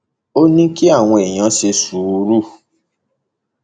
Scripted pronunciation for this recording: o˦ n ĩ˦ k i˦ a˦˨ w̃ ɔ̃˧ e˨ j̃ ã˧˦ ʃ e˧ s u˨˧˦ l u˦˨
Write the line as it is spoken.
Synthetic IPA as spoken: o˦ n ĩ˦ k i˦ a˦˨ w̃ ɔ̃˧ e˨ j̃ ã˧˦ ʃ e˧ s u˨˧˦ ɾ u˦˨